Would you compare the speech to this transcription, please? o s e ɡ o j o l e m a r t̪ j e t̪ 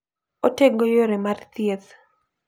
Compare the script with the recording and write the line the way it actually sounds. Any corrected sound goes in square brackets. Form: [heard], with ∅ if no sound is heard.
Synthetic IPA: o [t] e ɡ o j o [ɾ] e m a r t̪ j e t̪